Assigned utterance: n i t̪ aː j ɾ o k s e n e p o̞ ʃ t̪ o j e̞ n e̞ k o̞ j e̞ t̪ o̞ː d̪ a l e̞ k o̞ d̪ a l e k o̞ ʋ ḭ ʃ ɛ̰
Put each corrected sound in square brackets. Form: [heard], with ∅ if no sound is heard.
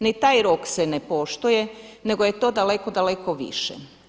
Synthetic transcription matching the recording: n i t̪ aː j ɾ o k s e n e p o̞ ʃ t̪ o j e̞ n e̞ [ɡ] o̞ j e̞ t̪ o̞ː d̪ a l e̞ k o̞ d̪ a l e k o̞ ʋ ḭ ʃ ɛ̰